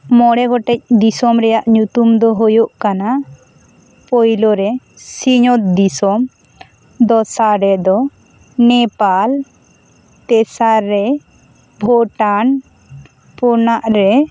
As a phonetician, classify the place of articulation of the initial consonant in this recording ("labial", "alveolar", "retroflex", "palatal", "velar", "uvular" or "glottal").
labial